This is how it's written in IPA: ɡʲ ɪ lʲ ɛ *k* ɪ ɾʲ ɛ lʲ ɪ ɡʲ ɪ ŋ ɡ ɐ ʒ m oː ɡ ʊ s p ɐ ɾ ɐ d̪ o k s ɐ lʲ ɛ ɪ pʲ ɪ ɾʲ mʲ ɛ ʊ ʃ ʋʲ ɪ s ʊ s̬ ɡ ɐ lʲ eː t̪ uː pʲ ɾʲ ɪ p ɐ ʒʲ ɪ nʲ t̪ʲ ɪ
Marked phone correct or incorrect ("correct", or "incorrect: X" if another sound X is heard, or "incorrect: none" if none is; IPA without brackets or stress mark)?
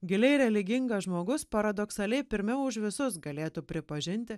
incorrect: none